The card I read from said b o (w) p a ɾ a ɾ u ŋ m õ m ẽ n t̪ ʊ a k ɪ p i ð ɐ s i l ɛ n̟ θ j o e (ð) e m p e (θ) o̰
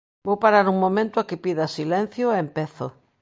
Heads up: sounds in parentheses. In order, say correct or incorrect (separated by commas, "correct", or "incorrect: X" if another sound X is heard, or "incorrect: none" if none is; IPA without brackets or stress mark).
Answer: correct, incorrect: none, correct